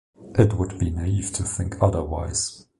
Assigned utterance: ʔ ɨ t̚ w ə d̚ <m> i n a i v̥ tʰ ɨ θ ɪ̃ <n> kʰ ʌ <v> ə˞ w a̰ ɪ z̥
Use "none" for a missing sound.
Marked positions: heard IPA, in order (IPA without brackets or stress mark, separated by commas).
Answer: b, ŋ, ð